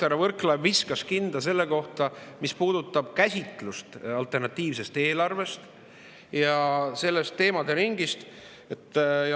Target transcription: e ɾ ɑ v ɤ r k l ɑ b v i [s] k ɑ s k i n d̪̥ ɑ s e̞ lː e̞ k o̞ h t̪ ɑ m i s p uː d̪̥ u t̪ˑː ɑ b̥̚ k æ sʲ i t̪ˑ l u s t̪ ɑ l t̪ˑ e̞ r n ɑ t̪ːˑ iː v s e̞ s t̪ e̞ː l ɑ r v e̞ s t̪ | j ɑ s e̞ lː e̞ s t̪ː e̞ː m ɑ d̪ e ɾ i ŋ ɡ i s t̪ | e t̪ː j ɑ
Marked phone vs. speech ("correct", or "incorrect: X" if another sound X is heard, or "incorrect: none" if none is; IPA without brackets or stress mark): correct